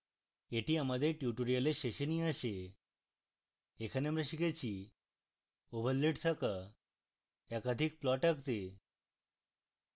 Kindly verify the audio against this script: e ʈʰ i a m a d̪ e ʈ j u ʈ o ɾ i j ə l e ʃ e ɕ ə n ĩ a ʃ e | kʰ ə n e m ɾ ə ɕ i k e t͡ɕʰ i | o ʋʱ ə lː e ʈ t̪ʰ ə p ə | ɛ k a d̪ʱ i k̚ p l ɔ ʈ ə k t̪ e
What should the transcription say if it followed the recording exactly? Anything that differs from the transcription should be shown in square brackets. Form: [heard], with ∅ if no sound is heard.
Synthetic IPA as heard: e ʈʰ i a m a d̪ e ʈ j u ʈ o ɾ i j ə l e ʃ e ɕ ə n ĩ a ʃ e | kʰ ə n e m ɾ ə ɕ i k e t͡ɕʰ i | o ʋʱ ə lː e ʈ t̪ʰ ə [k] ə | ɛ k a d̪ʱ i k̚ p l ɔ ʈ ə k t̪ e

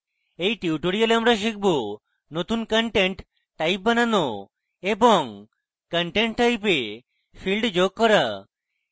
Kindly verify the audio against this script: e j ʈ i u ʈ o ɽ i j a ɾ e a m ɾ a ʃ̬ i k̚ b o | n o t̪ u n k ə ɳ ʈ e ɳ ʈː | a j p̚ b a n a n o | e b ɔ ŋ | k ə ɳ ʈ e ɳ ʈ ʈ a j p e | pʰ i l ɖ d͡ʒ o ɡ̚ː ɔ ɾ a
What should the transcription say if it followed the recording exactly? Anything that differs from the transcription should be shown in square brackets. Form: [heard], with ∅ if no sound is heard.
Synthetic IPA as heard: e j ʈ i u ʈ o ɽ i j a [l] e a m ɾ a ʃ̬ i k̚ b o | n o t̪ u n k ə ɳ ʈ e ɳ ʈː | a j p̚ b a n a n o | e b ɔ ŋ | k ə ɳ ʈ e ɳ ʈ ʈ a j p e | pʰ i l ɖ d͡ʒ o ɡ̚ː ɔ ɾ a

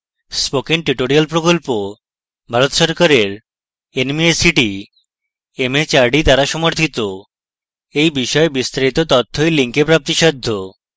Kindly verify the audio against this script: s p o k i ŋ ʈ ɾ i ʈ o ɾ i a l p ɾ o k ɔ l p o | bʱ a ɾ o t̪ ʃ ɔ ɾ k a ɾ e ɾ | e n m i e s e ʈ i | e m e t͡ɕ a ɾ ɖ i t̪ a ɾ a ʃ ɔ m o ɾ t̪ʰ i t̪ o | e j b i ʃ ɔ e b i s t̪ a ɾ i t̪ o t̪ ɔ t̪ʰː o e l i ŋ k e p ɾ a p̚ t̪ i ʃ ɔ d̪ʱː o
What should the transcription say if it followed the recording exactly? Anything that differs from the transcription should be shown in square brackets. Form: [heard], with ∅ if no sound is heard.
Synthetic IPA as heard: s p o k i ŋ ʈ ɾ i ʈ o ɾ i a l p ɾ o k [o] l p o | bʱ a ɾ o t̪ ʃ ɔ ɾ k a ɾ e ɾ | e n m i e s [i] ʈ i | e m e t͡ɕ a ɾ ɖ i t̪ a ɾ a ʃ ɔ m o ɾ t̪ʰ i t̪ o | e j b i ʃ ɔ e b i s t̪ a ɾ i t̪ o t̪ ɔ t̪ʰː o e l i ŋ k e p ɾ a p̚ t̪ i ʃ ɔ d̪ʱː o

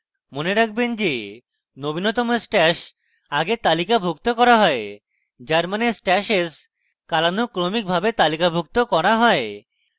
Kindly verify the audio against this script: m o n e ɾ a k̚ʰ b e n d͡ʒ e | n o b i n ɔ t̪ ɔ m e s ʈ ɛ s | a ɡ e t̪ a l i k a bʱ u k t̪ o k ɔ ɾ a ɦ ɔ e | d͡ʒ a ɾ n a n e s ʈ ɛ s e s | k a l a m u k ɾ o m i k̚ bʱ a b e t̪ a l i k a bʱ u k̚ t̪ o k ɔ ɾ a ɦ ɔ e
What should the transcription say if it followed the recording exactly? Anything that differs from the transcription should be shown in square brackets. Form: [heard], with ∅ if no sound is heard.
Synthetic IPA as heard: m o n e ɾ a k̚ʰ b e n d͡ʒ e | n o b i n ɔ t̪ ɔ m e s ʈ ɛ [ʃ] | a ɡ e t̪ a l i k a bʱ u k t̪ o k ɔ ɾ a ɦ ɔ e | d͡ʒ a ɾ [m] a n e s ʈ ɛ [ʃ] e s | k a l a [n] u k ɾ o m i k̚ bʱ a b e t̪ a l i k a bʱ u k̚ t̪ o k ɔ ɾ a ɦ ɔ e

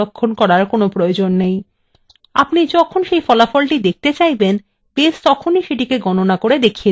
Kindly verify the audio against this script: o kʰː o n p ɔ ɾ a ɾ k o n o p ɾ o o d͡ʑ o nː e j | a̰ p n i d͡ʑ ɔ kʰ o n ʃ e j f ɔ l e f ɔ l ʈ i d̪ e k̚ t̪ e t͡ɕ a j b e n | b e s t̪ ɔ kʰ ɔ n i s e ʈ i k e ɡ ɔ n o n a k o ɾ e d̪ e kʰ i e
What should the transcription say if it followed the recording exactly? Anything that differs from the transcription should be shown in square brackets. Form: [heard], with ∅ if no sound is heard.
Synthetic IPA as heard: o kʰː o n [k] ɔ ɾ a ɾ k o n o p ɾ o o d͡ʑ o nː e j | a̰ p n i d͡ʑ ɔ kʰ o n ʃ e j f ɔ l [a] f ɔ l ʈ i d̪ e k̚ t̪ e t͡ɕ a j b e n | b e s t̪ ɔ kʰ [o] n i [ʃ] e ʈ i k e ɡ ɔ n o n a k o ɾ e d̪ e kʰ i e

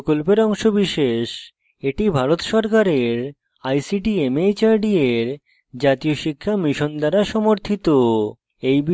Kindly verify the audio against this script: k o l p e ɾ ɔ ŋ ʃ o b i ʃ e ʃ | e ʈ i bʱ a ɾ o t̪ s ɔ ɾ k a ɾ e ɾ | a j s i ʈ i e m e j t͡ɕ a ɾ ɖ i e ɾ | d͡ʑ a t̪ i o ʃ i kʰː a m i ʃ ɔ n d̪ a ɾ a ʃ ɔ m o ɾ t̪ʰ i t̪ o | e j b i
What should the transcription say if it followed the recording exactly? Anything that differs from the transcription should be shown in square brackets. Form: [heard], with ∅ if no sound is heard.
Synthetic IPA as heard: k o l p e ɾ ɔ ŋ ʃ o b i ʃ e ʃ | e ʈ i bʱ a ɾ o t̪ [ʃ] ɔ ɾ k a ɾ e ɾ | a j s i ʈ i e m e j t͡ɕ a ɾ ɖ i e ɾ | d͡ʑ a t̪ i o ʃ i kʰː a m i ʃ [o] n d̪ a ɾ a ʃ ɔ m o ɾ t̪ʰ i t̪ o | e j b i

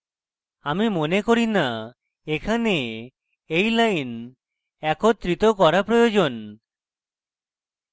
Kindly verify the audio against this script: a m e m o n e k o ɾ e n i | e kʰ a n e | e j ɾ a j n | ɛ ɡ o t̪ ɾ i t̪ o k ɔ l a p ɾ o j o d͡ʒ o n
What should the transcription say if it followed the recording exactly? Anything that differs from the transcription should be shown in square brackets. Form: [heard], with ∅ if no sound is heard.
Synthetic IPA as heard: a m [i] m o n e k o ɾ [i] n [a] | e kʰ a n e | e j [l] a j n | ɛ [k] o t̪ ɾ i t̪ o k ɔ [ɾ] a p ɾ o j o d͡ʒ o n

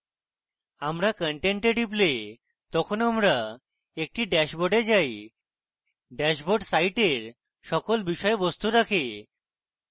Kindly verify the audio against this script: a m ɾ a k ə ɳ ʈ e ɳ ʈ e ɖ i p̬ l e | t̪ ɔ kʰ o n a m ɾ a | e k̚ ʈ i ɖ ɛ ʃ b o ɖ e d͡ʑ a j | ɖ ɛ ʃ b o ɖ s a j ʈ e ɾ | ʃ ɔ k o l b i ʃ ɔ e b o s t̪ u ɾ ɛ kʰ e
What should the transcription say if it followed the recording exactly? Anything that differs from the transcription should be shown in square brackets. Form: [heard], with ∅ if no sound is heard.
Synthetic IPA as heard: a m ɾ a k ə ɳ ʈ e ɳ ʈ e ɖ i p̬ l e | t̪ ɔ kʰ o n a m ɾ a | e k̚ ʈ i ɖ ɛ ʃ b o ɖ e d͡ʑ a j | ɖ ɛ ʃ b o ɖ s a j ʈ e ɾ | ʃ ɔ k o l b i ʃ ɔ e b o s t̪ u ɾ [a] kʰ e

